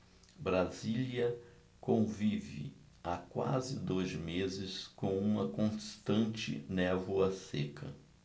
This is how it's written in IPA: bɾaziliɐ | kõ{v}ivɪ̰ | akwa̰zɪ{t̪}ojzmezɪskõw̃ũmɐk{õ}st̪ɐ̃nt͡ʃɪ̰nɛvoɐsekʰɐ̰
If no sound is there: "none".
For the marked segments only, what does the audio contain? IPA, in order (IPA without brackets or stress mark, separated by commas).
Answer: v, d̪, õ